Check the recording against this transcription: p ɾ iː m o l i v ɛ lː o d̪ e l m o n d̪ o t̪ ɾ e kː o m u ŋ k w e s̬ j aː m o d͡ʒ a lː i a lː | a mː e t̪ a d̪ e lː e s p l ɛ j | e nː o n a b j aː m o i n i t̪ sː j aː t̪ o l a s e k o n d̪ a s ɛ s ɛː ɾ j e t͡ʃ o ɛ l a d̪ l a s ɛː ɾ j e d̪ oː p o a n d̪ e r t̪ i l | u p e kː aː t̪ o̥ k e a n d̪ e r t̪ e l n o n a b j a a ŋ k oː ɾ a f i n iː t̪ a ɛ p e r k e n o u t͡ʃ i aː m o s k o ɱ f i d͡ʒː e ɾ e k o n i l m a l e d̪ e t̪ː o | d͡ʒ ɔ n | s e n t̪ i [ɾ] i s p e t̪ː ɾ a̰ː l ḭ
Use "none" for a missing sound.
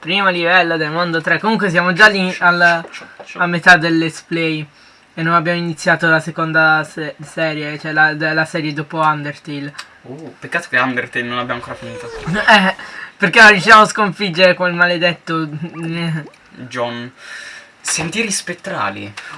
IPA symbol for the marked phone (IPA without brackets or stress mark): ɾ